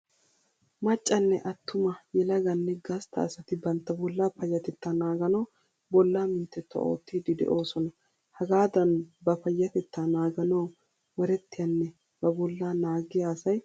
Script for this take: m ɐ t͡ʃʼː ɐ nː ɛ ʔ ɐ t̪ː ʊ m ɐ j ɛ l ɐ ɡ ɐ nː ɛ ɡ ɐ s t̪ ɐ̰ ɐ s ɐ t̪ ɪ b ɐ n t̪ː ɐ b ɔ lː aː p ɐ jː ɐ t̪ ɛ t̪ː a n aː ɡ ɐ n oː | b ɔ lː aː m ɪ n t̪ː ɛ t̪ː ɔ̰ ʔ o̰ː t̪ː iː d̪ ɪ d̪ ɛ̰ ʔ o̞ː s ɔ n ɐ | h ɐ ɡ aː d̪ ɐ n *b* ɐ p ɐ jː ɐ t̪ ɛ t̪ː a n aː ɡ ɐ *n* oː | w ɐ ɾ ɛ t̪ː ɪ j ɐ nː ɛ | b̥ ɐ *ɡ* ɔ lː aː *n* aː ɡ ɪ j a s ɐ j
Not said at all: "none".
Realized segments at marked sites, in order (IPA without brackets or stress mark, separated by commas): b, n, b, n